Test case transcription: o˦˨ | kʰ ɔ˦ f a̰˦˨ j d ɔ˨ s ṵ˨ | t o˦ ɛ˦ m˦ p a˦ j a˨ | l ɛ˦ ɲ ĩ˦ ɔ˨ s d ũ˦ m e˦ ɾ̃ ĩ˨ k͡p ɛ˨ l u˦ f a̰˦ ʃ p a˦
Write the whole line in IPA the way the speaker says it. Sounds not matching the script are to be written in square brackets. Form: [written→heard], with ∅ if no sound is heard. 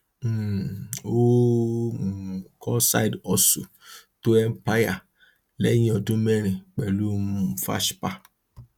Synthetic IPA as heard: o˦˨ | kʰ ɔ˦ [f→s] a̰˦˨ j d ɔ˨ s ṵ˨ | t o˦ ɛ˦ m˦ p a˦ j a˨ | l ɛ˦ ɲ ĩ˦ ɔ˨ [s→∅] d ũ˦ m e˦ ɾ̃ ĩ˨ k͡p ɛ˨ l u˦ f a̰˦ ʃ p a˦

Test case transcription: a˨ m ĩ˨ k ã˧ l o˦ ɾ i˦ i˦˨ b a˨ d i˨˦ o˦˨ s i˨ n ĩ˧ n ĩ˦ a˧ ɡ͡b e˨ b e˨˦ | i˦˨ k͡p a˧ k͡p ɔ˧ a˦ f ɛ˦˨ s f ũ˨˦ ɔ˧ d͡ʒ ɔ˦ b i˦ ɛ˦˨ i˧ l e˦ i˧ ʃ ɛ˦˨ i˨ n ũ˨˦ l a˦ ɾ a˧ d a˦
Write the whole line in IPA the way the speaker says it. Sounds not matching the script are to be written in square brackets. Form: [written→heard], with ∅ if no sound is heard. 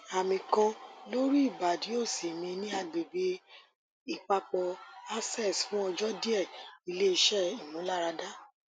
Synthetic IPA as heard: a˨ m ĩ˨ k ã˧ l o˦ ɾ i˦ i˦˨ b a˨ d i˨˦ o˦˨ s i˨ [n→m] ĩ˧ n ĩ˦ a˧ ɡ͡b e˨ b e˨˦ | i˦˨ k͡p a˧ k͡p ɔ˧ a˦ [f→s] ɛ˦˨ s f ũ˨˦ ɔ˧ d͡ʒ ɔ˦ [b→d] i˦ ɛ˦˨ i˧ l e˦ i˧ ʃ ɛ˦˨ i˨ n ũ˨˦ l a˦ ɾ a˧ d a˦

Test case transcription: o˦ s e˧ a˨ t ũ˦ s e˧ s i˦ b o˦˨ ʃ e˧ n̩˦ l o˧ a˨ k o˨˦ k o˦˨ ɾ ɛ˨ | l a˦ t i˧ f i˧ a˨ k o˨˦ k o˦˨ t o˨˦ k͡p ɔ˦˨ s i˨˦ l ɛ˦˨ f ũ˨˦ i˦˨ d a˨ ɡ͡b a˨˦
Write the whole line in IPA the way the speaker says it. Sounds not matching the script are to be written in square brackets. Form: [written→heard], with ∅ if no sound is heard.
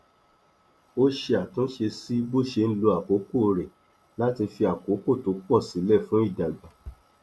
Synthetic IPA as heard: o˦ [s→ʃ] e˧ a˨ t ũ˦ [s→ʃ] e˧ s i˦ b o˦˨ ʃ e˧ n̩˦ l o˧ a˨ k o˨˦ k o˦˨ ɾ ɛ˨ | l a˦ t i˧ f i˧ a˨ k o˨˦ k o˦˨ t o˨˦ k͡p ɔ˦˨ s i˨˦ l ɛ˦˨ f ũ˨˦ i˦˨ d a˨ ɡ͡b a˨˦

